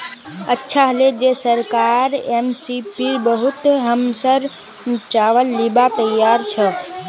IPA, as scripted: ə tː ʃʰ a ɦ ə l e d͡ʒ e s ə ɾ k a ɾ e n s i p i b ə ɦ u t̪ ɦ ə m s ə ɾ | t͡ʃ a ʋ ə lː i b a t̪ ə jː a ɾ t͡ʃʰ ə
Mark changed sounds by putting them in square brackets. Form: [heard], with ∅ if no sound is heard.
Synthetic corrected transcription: ə tː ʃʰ a ɦ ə l e d͡ʒ e s ə ɾ k a ɾ e [m] s i p i b ə ɦ u t̪ ɦ ə m s ə ɾ | t͡ʃ a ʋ ə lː i b a t̪ ə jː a ɾ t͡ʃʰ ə